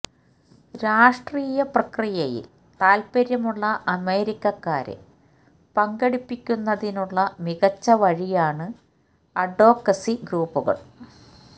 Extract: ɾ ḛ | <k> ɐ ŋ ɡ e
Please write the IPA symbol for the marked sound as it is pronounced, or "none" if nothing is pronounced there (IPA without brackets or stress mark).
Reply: p